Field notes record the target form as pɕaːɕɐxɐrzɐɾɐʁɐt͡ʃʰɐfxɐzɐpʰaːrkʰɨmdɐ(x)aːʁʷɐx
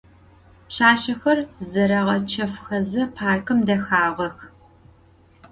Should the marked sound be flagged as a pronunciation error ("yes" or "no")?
no